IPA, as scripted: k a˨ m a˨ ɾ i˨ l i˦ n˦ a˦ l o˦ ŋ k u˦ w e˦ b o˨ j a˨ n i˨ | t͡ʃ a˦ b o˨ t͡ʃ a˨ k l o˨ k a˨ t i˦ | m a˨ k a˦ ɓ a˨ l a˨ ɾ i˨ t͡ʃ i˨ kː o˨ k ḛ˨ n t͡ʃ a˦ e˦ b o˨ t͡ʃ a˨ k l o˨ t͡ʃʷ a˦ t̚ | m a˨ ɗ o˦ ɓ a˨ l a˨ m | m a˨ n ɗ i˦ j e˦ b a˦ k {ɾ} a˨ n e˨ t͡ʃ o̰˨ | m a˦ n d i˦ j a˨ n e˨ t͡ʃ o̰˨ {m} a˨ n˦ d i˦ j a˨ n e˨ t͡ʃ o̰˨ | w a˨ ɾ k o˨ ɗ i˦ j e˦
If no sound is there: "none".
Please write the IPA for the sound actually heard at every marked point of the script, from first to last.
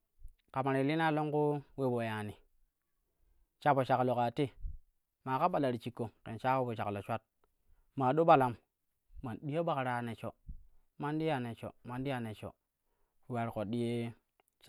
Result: ɾ, m

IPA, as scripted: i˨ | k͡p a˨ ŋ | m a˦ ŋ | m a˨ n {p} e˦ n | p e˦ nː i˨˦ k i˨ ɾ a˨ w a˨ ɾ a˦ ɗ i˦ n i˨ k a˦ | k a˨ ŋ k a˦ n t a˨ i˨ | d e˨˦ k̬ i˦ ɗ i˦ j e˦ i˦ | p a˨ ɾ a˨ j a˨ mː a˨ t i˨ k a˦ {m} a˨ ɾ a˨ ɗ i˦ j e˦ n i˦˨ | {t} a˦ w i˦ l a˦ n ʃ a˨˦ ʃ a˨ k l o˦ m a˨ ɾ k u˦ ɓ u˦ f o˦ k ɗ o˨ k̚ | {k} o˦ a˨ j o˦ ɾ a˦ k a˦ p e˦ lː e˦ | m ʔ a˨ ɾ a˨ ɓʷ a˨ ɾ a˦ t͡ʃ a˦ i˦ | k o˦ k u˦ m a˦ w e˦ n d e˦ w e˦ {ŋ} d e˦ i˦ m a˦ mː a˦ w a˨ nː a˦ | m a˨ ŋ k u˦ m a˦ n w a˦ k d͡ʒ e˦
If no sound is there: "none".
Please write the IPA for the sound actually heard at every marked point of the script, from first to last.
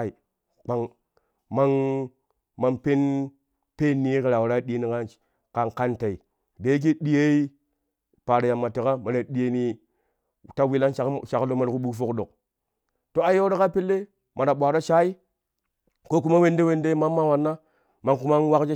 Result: p, m, t, t, n

